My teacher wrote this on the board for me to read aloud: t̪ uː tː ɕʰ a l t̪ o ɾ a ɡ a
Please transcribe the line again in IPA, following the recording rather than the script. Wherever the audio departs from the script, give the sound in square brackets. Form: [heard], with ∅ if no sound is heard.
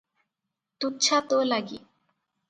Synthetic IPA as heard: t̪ [u] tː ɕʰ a [∅] t̪ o [l] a ɡ [i]